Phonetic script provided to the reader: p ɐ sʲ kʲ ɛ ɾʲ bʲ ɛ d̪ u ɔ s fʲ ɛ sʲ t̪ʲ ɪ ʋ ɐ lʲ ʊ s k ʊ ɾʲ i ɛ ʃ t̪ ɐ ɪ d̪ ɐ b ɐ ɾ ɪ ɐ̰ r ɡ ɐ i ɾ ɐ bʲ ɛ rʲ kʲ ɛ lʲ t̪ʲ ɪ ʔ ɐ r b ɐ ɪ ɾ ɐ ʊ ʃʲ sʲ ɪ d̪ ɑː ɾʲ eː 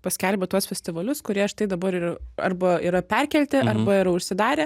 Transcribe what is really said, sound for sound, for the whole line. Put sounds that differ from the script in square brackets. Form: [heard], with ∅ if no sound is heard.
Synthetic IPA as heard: p ɐ sʲ kʲ ɛ [lʲ] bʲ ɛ [t̪] u ɔ s fʲ ɛ sʲ t̪ʲ ɪ ʋ ɐ lʲ ʊ s k ʊ ɾʲ i ɛ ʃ t̪ ɐ ɪ d̪ ɐ b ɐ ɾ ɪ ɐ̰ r [b] ɐ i ɾ ɐ [pʲ] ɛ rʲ kʲ ɛ lʲ t̪ʲ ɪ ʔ ɐ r b ɐ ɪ ɾ ɐ ʊ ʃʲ sʲ ɪ d̪ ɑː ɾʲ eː